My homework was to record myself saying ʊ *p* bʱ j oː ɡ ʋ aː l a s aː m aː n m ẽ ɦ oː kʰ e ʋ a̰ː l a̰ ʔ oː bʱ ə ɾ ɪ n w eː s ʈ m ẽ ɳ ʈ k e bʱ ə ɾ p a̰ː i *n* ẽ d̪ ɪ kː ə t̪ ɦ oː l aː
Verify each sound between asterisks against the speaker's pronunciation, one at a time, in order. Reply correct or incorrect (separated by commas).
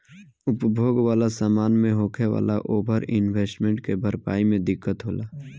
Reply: correct, incorrect